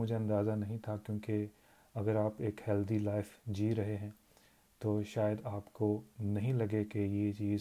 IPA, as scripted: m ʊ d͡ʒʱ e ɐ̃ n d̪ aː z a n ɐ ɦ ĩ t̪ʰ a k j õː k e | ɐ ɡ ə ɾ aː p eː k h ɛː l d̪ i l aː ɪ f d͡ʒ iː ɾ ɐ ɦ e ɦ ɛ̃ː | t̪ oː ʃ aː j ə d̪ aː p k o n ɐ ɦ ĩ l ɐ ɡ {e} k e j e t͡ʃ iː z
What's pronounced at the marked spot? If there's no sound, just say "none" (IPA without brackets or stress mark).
e